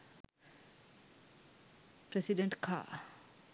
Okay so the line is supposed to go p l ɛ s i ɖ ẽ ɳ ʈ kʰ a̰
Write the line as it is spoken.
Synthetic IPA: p ɾ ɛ s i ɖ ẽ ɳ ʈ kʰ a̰